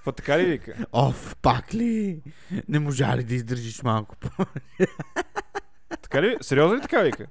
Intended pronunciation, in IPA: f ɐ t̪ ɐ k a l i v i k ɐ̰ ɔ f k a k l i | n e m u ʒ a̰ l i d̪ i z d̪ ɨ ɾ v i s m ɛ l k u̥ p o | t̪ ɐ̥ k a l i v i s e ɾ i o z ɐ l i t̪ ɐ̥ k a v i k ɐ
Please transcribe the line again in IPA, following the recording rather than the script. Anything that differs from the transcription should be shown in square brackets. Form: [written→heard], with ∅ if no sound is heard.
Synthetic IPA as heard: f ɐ t̪ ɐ k a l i v i k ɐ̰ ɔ f [k→p] a k l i | n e m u ʒ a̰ l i d̪ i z d̪ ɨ ɾ [v→ʒ] i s m [ɛ→a] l k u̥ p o | t̪ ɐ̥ k a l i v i s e ɾ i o z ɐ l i t̪ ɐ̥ k a v i k ɐ